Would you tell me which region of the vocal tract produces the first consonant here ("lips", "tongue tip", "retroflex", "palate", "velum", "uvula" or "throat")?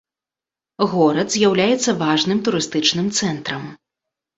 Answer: velum